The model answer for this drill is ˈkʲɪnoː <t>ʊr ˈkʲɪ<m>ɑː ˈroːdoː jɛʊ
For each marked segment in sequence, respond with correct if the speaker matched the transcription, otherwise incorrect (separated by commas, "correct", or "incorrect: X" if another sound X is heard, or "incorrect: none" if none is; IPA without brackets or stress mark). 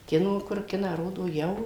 incorrect: k, incorrect: n